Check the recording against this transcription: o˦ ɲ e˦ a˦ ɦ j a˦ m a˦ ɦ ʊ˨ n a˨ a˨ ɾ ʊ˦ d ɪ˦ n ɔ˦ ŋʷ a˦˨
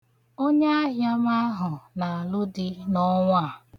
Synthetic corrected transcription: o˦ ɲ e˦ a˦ ɦ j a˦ m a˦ ɦ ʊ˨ n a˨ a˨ l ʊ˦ d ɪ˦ n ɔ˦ ŋʷ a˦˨